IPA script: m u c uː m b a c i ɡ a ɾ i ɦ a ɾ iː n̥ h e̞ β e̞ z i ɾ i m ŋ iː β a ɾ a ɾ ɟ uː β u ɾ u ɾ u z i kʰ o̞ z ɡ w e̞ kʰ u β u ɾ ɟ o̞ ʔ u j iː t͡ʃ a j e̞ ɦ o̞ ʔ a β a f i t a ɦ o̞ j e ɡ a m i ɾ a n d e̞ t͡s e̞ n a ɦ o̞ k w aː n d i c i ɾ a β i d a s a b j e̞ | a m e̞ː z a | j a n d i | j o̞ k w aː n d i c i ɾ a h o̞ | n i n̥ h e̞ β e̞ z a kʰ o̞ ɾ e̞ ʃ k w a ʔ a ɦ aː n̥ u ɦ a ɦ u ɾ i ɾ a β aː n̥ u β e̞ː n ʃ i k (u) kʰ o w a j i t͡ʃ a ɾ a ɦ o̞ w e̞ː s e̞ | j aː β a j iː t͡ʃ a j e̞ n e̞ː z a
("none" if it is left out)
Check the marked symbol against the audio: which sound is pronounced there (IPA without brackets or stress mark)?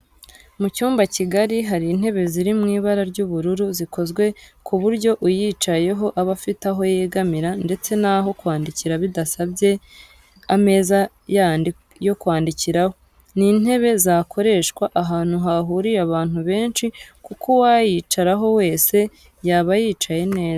u